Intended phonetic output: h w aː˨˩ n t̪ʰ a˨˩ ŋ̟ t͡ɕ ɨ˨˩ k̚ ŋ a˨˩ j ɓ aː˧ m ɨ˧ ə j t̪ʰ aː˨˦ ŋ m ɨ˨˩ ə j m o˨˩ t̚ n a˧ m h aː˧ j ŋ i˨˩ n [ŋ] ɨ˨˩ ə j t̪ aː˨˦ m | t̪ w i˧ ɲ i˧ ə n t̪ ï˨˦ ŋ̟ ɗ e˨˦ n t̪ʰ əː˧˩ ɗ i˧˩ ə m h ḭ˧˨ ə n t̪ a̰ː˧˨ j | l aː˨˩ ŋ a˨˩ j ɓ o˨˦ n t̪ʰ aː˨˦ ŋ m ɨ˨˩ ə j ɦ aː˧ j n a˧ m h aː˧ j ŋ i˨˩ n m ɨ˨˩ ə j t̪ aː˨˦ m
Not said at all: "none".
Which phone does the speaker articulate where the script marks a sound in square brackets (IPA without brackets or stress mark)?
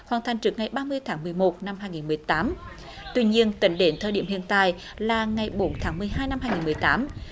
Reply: m